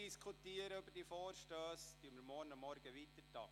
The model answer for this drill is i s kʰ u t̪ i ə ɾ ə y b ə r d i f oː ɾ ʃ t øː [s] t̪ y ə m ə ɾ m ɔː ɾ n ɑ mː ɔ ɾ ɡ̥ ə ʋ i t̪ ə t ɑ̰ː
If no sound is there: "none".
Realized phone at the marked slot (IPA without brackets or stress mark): s